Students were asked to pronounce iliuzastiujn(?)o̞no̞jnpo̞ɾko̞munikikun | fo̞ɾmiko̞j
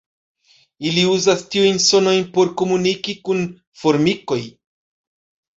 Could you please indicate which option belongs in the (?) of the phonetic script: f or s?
s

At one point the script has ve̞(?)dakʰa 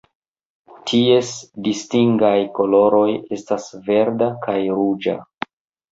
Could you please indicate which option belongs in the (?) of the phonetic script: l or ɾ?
ɾ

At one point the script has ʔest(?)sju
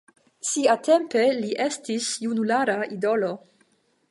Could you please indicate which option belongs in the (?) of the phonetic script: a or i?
i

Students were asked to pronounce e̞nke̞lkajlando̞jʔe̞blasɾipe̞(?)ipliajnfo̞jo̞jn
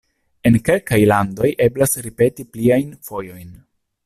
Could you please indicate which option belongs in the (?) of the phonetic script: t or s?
t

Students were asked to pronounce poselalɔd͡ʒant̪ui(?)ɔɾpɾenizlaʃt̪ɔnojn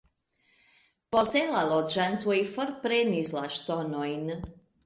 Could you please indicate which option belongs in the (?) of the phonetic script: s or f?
f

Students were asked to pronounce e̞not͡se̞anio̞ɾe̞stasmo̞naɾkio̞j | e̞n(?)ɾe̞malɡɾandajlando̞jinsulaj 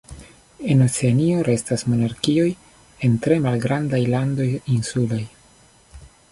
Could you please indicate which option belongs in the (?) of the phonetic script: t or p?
t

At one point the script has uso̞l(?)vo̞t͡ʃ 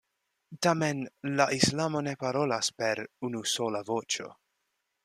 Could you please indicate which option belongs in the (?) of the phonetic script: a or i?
a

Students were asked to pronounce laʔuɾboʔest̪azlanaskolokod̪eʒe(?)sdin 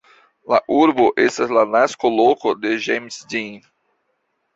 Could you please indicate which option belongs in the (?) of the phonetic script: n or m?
m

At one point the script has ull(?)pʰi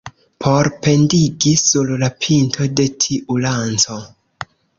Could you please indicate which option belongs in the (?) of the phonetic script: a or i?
a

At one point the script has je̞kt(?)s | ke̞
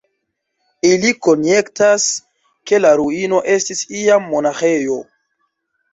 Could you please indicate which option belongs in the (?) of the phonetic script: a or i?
a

